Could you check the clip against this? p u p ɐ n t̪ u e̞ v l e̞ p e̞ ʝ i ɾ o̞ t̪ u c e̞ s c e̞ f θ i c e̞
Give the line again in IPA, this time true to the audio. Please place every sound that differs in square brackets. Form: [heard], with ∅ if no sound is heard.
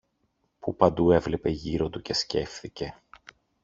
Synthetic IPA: p u p ɐ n [d̪] u e̞ v l e̞ p e̞ ʝ i ɾ o̞ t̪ u c e̞ s c e̞ f θ i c e̞